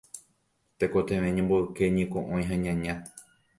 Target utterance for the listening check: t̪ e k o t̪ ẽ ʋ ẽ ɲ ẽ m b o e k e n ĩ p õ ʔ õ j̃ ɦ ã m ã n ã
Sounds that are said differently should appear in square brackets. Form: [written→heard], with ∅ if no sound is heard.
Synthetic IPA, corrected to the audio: t̪ e k o t̪ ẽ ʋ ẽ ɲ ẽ m b o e k e [n→ɲ] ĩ [p→k] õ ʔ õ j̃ ɦ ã [m→ɲ] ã [n→ɲ] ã